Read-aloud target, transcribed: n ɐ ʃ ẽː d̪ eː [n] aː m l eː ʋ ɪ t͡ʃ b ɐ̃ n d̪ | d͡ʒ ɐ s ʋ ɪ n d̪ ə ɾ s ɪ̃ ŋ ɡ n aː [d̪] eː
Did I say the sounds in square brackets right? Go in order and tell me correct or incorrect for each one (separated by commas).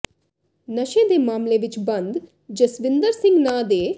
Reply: incorrect, correct